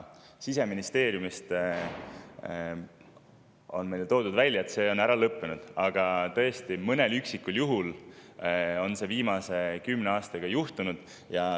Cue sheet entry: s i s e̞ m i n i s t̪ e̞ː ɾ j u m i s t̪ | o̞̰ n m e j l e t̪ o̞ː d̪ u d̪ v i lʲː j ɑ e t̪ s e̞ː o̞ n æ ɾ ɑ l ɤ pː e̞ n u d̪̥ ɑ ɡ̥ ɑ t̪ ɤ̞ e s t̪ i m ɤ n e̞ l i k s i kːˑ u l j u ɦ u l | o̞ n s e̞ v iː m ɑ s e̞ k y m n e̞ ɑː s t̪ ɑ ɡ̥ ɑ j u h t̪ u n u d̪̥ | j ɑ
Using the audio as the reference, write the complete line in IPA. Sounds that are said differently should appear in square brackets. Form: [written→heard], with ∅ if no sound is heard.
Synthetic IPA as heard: s i s e̞ m i n i s t̪ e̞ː ɾ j u m i s t̪ | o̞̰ n m e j l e t̪ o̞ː d̪ u d̪ v [i→æ] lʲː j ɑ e t̪ s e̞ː o̞ n æ ɾ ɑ l ɤ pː e̞ n u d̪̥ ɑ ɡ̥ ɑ t̪ ɤ̞ e s t̪ i m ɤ n e̞ l [i→y] k s i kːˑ u l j u ɦ u l | o̞ n s e̞ v iː m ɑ s e̞ k y m n e̞ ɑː s t̪ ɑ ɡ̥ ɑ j u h t̪ u n u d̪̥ | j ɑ